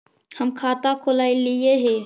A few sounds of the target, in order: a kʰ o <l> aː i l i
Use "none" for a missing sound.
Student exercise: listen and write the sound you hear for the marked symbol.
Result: l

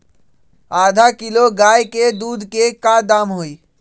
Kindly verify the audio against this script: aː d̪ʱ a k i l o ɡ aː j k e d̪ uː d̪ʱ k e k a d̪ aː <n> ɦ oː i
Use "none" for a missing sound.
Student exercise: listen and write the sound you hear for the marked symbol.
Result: m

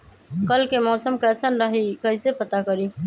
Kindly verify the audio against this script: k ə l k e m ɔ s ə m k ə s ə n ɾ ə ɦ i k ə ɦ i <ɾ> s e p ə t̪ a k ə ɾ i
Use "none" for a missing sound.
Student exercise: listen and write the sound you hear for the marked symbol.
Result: none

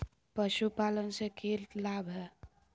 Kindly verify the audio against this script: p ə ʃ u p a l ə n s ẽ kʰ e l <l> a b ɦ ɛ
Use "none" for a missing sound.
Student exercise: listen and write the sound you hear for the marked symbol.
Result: l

